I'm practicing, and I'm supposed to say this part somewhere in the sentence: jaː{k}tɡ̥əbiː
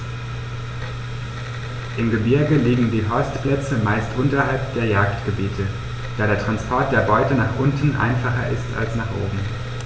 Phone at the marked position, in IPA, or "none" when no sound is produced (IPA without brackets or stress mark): k